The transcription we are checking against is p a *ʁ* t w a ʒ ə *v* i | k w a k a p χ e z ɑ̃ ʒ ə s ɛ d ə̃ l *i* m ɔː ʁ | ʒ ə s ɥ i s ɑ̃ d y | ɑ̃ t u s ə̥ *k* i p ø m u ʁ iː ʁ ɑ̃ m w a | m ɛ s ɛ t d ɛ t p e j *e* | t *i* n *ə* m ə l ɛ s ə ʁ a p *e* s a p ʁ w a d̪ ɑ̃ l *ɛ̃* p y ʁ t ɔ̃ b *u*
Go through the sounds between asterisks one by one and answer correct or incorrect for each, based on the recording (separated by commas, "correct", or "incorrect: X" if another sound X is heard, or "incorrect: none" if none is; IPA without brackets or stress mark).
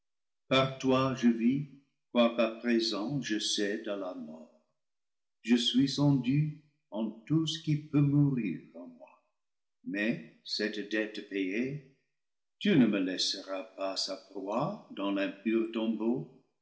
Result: correct, correct, incorrect: a, correct, correct, incorrect: y, correct, incorrect: a, correct, incorrect: o